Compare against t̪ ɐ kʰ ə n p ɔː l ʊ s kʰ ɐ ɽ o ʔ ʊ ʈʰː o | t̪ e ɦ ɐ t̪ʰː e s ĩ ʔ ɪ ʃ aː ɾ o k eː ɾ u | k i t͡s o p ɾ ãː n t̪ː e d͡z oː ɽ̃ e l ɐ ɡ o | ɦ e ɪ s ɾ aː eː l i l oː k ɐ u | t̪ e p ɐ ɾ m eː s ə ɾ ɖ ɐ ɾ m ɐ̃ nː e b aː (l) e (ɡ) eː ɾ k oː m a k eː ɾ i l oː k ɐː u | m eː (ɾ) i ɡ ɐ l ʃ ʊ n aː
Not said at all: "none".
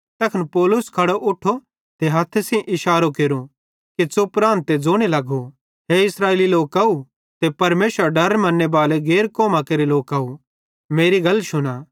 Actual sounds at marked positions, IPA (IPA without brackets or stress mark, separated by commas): l, ɡ, ɾ